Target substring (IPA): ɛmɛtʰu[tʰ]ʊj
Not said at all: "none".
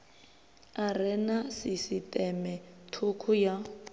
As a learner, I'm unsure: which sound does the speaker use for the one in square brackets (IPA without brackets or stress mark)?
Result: kʰ